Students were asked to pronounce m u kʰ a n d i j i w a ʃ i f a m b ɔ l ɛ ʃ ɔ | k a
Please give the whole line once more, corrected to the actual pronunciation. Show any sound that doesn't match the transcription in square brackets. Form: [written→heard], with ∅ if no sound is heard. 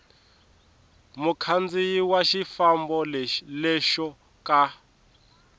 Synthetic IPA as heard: m u kʰ a n [d→d͡z] i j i w a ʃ i f a m b ɔ l ɛ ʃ ɔ | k a